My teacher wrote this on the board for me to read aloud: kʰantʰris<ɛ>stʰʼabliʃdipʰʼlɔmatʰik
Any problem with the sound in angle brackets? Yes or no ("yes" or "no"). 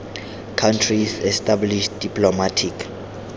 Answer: no